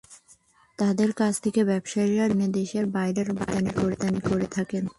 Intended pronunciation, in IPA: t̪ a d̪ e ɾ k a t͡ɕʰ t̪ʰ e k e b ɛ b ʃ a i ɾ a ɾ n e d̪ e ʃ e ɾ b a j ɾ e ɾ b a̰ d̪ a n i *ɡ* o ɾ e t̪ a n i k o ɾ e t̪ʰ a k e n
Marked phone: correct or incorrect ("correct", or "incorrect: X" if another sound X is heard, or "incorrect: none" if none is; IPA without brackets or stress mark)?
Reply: incorrect: k